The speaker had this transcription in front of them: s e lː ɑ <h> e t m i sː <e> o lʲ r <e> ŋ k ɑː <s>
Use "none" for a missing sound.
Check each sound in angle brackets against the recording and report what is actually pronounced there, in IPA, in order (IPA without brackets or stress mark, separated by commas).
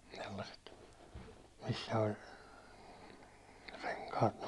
s, æ, e, t